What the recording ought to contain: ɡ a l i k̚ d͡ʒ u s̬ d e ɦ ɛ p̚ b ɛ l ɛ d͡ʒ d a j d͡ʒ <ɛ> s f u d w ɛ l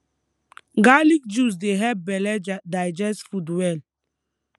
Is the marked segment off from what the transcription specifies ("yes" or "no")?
no